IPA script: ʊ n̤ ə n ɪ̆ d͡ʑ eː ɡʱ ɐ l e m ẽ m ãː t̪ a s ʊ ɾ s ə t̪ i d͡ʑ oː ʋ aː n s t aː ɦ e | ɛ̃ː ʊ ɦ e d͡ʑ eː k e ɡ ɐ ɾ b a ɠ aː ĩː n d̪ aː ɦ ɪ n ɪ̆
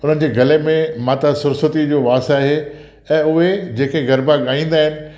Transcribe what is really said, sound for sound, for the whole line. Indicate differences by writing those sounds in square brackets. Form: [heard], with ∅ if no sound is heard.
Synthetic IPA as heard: ʊ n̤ ə n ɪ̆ d͡ʑ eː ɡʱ ɐ l e m ẽ m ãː t̪ a s ʊ ɾ s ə t̪ i d͡ʑ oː ʋ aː [∅] s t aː ɦ e | ɛ̃ː ʊ ɦ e d͡ʑ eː k e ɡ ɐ ɾ b a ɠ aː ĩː n d̪ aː ɦ ɪ n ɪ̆